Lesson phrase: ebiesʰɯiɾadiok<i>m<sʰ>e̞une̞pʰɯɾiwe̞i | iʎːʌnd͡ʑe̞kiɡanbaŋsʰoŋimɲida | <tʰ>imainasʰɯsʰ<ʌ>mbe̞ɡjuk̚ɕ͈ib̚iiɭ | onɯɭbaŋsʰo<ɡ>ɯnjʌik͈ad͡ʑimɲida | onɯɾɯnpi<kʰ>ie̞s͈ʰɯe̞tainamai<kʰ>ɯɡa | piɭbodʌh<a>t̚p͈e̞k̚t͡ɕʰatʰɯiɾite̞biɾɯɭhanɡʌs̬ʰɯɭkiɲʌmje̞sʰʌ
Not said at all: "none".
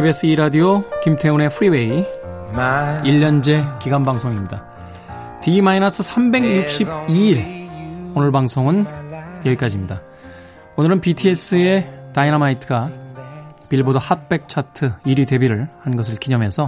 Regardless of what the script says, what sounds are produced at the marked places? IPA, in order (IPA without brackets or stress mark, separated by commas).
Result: i, tʰ, t, a, ŋ, tʰ, tʰ, a